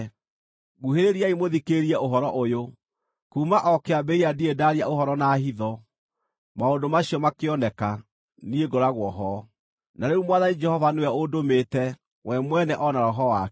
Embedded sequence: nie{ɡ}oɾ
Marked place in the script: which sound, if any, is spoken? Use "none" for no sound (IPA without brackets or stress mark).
ɡ